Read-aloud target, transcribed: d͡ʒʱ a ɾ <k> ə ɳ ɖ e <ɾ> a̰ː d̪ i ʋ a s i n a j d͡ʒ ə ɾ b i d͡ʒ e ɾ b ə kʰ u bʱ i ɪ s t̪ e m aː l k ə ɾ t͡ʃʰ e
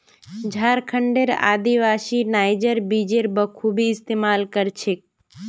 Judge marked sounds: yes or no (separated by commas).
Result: no, yes